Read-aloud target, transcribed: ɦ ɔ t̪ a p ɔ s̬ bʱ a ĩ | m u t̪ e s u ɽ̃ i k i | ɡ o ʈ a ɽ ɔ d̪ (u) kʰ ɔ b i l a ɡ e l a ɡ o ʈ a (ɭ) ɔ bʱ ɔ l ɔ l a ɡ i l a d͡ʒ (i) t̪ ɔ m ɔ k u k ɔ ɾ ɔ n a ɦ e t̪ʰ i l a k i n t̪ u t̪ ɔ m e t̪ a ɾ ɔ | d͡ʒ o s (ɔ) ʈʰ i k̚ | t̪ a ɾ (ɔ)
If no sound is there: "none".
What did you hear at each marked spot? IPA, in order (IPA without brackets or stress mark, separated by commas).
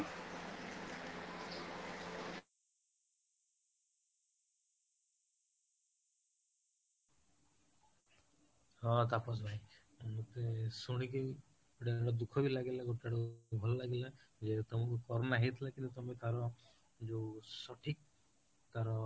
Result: u, ɽ, e, ɔ, ɔ